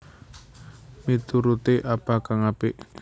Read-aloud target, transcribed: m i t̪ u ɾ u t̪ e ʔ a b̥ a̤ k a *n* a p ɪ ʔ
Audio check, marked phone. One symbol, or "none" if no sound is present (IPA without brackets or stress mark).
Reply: ŋ